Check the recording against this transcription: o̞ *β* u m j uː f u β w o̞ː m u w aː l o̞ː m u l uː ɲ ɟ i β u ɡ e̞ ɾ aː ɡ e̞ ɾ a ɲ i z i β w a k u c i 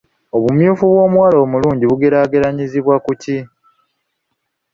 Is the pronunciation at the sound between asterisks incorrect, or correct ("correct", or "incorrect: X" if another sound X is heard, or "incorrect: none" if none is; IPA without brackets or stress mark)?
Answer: correct